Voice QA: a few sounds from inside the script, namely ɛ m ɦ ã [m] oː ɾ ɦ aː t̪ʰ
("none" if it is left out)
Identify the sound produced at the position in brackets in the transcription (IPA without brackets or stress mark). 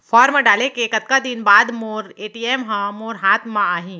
m